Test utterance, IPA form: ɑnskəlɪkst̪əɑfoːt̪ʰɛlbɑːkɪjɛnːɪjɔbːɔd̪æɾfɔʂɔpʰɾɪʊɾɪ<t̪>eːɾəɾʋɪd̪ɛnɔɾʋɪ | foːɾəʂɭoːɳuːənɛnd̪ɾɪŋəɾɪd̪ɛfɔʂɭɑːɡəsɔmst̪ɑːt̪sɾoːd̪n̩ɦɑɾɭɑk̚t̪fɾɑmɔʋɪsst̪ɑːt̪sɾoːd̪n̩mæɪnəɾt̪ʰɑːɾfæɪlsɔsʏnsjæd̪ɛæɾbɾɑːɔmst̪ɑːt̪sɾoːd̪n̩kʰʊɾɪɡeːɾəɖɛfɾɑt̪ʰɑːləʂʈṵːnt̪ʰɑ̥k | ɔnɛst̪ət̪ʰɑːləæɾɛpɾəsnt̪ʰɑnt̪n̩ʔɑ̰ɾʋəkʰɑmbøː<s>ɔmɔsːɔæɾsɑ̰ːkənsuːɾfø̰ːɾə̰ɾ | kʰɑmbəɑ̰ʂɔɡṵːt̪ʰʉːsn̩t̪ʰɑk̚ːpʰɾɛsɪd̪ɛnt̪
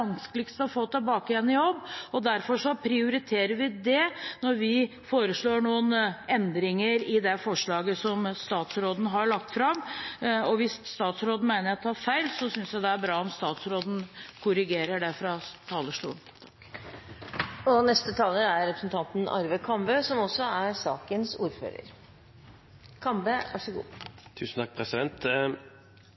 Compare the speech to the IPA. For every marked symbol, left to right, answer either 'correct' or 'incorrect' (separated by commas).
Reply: incorrect, correct